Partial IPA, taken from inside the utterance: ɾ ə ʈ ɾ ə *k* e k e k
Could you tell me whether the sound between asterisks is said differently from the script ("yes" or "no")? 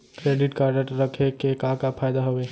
yes